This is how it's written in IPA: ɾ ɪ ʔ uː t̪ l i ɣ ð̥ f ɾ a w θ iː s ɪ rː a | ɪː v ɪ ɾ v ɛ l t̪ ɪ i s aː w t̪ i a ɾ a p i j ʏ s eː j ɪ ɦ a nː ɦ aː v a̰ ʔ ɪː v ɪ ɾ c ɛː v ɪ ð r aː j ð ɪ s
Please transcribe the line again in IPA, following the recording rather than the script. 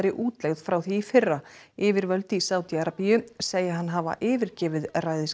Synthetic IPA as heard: ɾ ɪ ʔ uː t̪ l ɛ ɣ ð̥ f ɾ a w θ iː f ɪ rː a | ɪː v ɪ ɾ v œ l t̪ ɪ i s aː w t̪ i a ɾ a p i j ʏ s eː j ɪ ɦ a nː ɦ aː v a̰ ʔ ɪː v ɪ ɾ c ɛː v ɪ ð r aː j ð ɪ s